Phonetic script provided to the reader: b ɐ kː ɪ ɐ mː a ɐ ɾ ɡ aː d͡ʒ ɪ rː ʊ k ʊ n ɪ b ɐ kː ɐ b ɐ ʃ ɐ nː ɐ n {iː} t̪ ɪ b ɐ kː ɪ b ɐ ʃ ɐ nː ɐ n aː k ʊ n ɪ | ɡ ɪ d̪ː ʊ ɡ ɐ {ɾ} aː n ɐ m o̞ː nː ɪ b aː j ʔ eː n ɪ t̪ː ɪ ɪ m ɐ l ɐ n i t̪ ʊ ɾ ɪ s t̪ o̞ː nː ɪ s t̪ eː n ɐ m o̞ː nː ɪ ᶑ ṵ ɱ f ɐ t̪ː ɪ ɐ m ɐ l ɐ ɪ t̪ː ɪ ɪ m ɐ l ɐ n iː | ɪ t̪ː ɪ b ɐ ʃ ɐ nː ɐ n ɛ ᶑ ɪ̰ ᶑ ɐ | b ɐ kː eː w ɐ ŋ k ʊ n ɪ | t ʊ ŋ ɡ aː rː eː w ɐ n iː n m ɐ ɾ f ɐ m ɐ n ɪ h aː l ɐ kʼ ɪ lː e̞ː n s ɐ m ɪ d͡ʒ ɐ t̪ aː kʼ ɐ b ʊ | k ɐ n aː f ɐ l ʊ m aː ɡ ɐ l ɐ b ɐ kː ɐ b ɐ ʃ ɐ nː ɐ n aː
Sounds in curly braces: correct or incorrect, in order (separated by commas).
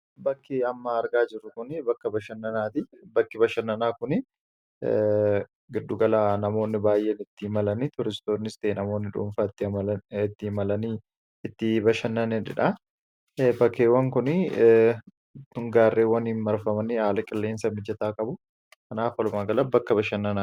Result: incorrect, incorrect